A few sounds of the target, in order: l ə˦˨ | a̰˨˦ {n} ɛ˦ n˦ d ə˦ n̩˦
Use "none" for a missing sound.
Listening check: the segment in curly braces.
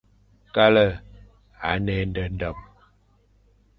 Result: n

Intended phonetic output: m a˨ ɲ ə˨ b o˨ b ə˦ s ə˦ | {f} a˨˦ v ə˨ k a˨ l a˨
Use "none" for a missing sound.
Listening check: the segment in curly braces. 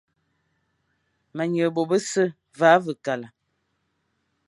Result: v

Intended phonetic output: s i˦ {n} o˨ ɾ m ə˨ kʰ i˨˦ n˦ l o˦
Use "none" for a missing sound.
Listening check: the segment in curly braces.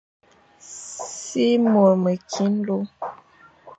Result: m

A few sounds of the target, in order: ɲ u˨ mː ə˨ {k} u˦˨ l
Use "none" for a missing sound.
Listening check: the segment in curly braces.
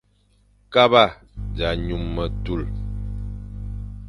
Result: t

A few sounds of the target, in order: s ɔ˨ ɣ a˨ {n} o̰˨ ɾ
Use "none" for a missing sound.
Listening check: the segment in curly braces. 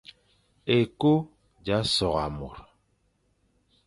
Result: m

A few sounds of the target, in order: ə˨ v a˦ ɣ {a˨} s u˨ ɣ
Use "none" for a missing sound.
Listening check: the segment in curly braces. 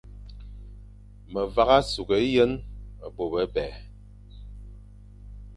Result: a˦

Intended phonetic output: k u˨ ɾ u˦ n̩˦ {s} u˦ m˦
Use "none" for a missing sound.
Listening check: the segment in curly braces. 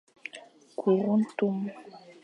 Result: t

